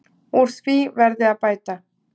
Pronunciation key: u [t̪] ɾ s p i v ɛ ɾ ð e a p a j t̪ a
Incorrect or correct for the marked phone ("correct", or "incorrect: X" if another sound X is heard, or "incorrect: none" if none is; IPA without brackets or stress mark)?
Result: incorrect: none